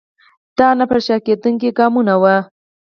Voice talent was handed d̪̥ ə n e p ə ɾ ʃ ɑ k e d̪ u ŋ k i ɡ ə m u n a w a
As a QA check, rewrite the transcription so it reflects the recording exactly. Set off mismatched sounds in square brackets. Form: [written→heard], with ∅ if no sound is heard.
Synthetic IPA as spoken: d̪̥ [ə→ɑ] n [e→a] p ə ɾ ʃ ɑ k e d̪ u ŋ k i ɡ [ə→ɑ] m u n a w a